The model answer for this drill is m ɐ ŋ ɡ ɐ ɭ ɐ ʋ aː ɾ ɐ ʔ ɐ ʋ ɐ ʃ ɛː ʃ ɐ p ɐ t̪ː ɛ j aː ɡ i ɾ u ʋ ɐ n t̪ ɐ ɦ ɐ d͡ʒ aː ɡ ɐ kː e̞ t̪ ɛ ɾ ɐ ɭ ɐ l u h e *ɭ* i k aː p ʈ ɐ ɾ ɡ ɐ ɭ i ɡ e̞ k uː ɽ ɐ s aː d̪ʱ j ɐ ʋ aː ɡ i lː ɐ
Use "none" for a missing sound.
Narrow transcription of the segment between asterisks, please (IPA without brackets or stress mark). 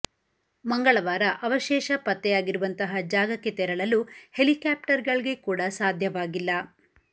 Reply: l